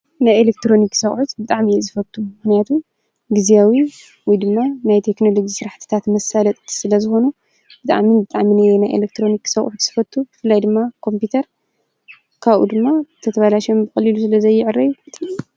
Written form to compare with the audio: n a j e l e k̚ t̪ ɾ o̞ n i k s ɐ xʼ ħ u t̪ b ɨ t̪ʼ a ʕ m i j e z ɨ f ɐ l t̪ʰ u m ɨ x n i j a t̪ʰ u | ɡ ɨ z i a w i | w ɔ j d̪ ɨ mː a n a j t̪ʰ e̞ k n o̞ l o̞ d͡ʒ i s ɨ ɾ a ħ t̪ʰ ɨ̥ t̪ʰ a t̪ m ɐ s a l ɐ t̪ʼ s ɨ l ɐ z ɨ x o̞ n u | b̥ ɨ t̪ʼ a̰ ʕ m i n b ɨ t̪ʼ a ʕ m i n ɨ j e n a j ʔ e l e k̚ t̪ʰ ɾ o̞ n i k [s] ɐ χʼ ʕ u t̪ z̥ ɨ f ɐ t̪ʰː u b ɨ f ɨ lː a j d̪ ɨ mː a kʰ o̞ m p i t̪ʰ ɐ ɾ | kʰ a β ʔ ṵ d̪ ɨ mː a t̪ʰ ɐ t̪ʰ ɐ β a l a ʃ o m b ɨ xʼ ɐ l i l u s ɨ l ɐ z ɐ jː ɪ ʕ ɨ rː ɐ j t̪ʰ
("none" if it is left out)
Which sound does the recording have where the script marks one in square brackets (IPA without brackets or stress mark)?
s